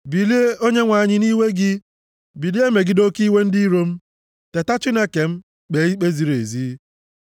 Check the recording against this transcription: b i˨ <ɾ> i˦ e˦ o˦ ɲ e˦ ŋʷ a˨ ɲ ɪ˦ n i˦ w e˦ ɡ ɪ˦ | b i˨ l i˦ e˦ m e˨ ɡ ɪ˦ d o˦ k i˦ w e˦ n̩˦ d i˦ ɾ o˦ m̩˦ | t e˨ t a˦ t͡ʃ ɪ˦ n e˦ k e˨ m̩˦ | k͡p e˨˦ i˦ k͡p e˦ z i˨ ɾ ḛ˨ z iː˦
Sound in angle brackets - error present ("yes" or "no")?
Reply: yes